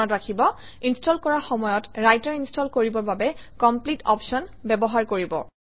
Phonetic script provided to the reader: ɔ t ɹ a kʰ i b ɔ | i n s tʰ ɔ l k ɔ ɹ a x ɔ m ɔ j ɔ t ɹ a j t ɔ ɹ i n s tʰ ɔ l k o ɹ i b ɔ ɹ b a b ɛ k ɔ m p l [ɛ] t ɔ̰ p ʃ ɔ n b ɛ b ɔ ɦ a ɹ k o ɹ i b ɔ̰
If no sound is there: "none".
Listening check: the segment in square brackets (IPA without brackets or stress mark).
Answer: i